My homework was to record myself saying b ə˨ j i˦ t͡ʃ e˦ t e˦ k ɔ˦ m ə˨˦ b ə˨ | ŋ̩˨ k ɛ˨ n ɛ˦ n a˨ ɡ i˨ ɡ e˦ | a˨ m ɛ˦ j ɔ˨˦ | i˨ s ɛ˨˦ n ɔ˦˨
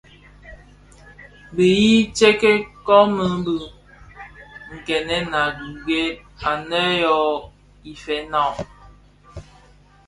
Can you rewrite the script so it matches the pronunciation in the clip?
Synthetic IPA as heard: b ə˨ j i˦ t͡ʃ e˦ k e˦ k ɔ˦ m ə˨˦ b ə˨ | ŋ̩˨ k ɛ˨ n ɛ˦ n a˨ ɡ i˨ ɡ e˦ | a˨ n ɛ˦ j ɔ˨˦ | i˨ f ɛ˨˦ n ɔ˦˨